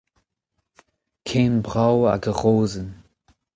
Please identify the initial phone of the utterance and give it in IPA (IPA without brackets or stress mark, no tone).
kʰ